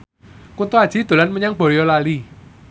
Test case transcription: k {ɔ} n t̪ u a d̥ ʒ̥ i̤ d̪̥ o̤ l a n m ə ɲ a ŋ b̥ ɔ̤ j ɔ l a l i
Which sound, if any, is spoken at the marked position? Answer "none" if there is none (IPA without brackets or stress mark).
u